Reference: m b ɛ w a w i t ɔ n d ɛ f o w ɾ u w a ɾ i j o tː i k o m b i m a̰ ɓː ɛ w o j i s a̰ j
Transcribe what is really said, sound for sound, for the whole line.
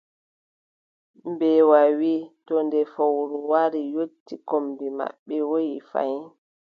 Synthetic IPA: m b ɛ w a w i t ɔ n d ɛ f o w ɾ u w a ɾ i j o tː i k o m b i m a̰ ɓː ɛ w o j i f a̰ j